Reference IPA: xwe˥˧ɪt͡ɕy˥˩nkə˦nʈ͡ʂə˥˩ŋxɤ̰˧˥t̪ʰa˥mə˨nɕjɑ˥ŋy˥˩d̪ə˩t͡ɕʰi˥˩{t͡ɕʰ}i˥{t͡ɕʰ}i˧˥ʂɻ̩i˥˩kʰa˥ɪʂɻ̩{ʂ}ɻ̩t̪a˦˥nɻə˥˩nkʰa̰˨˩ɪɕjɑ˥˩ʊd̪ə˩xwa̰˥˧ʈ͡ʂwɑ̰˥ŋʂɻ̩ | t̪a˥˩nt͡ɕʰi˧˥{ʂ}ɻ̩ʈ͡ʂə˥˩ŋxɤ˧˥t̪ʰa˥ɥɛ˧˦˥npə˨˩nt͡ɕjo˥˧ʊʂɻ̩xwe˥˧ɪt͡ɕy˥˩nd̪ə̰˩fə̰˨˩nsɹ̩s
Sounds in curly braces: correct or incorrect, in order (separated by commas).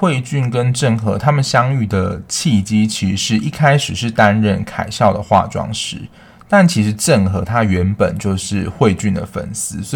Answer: incorrect, correct, correct, correct